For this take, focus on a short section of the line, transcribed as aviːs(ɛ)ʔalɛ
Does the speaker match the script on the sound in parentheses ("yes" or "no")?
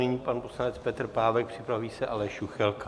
yes